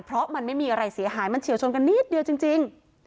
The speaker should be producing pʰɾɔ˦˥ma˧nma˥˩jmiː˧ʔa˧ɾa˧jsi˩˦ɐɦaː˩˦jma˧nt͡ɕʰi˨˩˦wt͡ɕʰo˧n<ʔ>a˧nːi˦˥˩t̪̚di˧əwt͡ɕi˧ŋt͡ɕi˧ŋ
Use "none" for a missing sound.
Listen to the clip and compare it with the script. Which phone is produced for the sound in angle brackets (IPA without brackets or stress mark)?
k